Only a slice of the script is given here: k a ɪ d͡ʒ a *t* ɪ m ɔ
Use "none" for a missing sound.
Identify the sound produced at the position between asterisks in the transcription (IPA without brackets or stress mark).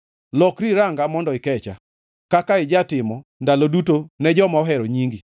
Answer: t